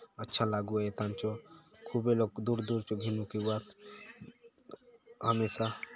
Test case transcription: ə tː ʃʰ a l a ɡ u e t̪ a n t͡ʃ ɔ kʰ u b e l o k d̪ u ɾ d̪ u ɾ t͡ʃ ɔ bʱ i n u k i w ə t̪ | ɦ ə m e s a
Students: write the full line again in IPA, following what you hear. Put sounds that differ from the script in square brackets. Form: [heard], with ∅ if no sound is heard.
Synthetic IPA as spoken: ə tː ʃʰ a l a ɡ u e t̪ a n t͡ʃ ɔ kʰ u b e l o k d̪ u ɾ d̪ u ɾ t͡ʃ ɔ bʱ i n u k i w [a] t̪ | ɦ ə m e s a